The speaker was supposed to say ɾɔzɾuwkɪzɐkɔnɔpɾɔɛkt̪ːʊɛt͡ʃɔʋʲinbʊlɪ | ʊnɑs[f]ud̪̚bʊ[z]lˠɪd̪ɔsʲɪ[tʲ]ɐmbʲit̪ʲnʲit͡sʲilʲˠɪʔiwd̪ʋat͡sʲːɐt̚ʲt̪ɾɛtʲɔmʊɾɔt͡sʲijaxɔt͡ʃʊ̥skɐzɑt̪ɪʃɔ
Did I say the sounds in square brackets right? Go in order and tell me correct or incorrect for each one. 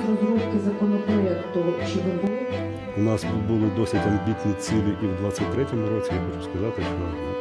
correct, incorrect, correct

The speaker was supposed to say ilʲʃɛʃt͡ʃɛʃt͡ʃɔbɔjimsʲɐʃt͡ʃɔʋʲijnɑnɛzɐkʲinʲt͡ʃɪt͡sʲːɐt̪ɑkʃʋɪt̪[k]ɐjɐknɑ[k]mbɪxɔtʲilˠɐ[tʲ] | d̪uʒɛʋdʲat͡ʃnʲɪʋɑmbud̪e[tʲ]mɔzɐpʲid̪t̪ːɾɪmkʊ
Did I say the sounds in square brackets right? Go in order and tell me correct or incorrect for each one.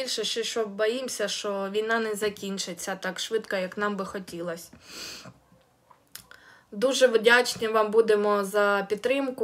correct, incorrect, incorrect, incorrect

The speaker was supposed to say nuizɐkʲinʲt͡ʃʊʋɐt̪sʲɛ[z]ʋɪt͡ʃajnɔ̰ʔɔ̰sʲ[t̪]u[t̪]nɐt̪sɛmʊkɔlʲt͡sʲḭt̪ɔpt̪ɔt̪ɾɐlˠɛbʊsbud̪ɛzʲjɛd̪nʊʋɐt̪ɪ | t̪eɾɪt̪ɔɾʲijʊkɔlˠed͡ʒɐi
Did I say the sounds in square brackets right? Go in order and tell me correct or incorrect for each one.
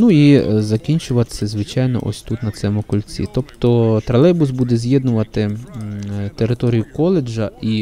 correct, correct, correct

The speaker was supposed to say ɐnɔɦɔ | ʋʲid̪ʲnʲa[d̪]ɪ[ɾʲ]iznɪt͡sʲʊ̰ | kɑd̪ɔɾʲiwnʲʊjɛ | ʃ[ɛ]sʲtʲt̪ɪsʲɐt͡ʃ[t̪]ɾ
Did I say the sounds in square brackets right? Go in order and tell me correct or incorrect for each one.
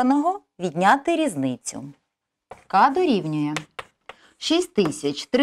incorrect, correct, incorrect, correct

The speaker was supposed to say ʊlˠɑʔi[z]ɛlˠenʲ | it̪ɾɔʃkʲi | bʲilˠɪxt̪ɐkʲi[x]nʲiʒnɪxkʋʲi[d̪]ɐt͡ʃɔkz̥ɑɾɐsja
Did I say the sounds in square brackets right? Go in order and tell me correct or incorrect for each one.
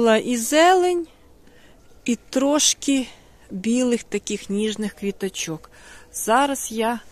correct, correct, incorrect

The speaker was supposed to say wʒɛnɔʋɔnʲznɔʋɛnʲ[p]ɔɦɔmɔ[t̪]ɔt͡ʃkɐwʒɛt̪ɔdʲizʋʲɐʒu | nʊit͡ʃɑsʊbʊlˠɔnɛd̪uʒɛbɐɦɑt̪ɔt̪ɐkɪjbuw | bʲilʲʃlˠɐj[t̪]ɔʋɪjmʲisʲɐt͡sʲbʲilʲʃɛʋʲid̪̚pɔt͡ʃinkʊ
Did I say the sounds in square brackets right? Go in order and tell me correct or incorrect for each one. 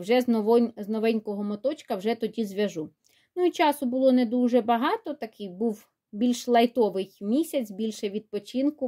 incorrect, correct, correct

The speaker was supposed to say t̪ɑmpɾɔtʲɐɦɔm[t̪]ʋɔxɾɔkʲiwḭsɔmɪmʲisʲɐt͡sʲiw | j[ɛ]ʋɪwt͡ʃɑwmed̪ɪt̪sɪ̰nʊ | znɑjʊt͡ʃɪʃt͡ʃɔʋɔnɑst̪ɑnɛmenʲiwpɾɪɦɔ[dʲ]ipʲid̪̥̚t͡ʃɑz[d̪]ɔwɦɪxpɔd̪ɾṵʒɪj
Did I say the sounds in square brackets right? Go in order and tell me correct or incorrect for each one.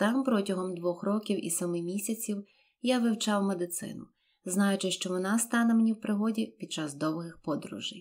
incorrect, incorrect, correct, correct

